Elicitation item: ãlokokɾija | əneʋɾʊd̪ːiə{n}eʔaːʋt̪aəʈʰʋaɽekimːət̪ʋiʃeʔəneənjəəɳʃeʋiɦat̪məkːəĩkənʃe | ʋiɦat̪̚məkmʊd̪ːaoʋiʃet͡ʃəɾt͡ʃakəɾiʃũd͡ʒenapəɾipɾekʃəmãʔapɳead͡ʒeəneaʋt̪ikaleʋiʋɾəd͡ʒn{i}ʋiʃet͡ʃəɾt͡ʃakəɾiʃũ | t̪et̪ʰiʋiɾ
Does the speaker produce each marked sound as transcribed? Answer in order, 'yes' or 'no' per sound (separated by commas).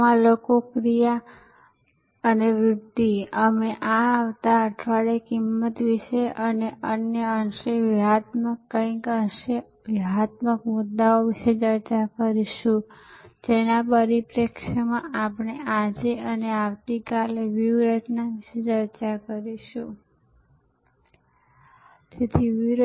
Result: no, no